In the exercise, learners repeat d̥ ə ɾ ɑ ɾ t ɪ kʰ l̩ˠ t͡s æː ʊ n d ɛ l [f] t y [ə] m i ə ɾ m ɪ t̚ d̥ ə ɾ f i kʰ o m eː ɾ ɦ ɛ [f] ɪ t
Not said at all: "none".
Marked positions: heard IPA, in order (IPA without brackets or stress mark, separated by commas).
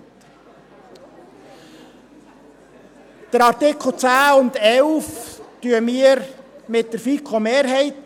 f, ə, none